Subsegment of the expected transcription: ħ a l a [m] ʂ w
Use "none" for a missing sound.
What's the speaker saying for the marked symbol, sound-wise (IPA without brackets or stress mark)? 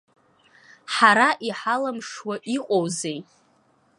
m